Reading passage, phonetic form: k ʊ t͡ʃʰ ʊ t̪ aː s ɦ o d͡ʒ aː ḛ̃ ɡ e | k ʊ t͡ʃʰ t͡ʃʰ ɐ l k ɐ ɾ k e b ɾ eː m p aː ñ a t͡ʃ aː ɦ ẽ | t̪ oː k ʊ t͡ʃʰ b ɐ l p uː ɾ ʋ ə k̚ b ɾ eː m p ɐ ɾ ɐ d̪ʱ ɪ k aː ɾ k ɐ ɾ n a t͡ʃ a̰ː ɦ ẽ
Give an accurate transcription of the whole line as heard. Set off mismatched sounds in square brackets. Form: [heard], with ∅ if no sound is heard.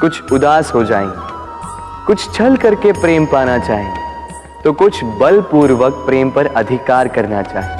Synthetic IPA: k ʊ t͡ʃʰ ʊ [d̪] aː s ɦ o d͡ʒ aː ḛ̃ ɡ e | k ʊ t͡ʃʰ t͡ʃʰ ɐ l k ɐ ɾ k e [p] ɾ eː m p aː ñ a t͡ʃ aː ɦ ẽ | t̪ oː k ʊ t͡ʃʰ b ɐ l p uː ɾ ʋ ə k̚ [p] ɾ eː m p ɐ ɾ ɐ d̪ʱ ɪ k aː ɾ k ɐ ɾ n a t͡ʃ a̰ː ɦ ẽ